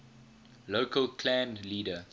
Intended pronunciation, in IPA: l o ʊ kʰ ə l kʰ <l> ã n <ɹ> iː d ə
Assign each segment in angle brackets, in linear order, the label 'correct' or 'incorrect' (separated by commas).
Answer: correct, incorrect